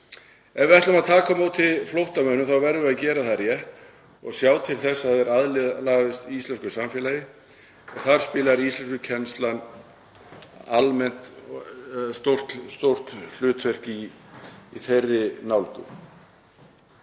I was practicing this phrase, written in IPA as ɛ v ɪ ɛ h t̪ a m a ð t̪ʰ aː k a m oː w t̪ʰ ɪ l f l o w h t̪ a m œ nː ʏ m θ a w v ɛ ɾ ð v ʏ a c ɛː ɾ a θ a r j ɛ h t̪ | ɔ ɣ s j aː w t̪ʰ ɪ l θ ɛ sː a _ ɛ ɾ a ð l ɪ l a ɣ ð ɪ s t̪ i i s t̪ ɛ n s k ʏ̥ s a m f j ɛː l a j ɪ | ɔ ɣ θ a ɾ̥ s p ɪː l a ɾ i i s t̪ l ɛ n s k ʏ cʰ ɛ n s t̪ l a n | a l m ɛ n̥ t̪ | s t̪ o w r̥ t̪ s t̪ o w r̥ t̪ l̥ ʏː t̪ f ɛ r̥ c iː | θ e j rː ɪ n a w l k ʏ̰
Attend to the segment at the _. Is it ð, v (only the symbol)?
ð